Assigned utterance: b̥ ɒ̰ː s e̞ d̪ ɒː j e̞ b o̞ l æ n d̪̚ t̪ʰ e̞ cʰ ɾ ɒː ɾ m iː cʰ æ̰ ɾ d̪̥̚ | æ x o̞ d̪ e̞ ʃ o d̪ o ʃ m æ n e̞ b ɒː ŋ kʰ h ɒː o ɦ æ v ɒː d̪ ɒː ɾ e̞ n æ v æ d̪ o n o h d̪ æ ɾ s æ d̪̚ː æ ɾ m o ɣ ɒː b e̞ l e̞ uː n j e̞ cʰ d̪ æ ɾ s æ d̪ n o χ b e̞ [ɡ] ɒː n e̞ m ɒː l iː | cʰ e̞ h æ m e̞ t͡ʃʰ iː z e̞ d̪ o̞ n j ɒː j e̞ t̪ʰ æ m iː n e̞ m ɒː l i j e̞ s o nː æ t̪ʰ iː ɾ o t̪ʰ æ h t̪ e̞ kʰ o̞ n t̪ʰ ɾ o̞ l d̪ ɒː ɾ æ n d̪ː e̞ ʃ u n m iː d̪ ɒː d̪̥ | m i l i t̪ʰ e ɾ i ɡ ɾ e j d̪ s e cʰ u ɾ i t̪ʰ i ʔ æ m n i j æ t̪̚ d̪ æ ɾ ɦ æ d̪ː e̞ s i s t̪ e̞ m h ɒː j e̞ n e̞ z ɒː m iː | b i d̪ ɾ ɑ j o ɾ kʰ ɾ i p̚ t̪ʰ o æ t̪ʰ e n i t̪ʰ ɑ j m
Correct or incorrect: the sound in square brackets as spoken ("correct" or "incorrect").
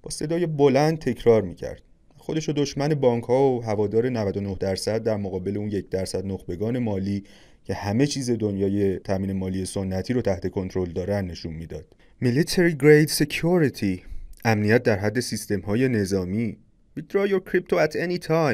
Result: correct